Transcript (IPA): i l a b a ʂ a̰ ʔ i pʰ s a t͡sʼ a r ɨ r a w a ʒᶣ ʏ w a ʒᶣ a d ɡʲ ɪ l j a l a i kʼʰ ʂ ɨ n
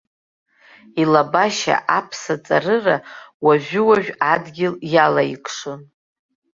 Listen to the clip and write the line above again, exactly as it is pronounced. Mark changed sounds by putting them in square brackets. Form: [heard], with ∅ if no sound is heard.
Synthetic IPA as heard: i l a b a [ʃ] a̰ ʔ [a] pʰ s a t͡sʼ a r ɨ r a w a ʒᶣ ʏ w a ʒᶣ a d ɡʲ ɪ l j a l a i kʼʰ ʂ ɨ n